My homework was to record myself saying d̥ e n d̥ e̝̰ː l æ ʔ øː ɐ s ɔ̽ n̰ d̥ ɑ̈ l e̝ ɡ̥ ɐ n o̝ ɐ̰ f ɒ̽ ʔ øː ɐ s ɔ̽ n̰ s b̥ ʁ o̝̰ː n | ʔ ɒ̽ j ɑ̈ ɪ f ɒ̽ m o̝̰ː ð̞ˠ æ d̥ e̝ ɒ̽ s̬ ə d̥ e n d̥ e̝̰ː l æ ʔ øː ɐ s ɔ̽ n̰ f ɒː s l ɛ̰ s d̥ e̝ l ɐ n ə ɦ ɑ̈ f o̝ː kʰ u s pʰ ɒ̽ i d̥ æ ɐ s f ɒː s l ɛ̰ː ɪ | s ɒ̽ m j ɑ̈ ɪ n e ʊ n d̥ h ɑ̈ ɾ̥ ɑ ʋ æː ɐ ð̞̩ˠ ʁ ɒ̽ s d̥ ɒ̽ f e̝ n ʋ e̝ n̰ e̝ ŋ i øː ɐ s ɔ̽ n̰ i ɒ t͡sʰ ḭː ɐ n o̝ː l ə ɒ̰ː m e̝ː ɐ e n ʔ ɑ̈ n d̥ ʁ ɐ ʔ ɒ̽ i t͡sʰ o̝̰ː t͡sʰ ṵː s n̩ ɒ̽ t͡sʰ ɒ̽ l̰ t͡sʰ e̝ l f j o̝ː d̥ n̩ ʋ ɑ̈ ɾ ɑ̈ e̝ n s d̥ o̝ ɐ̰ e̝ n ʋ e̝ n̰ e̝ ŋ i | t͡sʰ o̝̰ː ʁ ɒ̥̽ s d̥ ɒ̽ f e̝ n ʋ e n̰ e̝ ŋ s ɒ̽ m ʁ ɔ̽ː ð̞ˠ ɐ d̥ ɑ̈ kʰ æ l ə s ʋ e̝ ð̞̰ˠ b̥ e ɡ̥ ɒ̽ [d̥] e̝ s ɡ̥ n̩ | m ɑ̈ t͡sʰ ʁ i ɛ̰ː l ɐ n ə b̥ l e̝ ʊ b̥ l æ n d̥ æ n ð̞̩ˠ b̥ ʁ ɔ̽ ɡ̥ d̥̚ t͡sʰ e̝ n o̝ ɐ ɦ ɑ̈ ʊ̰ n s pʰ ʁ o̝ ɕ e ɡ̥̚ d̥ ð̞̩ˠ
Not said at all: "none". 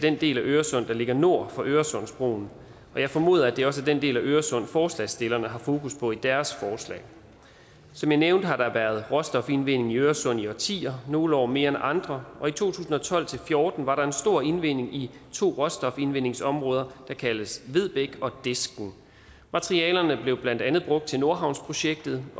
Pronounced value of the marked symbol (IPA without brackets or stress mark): d̥